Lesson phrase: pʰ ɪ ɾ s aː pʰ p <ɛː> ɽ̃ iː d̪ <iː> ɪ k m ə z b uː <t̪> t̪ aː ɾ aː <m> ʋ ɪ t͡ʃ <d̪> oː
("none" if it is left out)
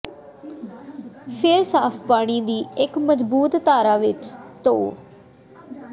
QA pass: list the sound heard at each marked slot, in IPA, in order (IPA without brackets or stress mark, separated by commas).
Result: aː, iː, t̪, none, t̪